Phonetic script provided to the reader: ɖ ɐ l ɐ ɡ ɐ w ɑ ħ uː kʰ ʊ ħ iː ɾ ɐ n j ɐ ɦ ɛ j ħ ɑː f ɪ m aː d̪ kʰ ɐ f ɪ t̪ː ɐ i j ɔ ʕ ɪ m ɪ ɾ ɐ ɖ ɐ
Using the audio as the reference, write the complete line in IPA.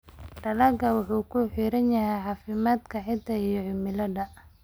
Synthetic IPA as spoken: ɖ ɐ l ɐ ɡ ɐ w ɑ ħ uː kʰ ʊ ħ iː ɾ ɐ n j ɐ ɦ ɛ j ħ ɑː f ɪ m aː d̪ kʰ ɐ ħ ɪ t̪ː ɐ i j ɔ ʕ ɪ m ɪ l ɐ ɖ ɐ